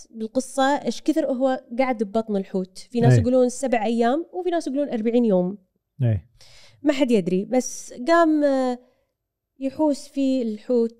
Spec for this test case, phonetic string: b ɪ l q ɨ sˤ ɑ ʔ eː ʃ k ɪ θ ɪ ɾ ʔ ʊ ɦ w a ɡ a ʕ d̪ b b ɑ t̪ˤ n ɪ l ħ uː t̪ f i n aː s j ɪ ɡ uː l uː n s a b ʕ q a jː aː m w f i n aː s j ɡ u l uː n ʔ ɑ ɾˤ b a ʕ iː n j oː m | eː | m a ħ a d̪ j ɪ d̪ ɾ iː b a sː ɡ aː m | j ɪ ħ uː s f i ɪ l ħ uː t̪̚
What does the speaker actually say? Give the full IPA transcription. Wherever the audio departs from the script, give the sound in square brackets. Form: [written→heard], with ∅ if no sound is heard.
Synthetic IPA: b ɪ l q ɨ [sˤ→sˤː] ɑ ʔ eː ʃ k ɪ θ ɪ ɾ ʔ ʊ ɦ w a ɡ a ʕ d̪ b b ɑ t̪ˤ n ɪ l ħ uː t̪ f i n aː s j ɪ ɡ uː l uː n s a b ʕ [q→ʔ] a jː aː m w f i n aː s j ɡ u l uː n ʔ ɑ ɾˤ b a ʕ iː n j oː m | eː | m a ħ a d̪ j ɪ d̪ ɾ [iː→i] b a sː ɡ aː m | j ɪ ħ uː s f i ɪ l ħ uː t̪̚